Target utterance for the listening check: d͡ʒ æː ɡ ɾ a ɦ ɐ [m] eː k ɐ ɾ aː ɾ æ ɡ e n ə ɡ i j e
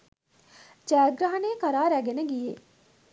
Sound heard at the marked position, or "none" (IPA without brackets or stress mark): n